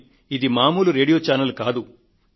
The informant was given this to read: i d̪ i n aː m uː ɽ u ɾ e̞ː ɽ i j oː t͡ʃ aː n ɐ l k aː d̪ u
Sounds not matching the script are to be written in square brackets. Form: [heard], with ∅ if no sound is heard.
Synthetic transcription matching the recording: i d̪ i [m] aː m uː [l] u ɾ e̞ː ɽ i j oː t͡ʃ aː n ɐ l k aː d̪ u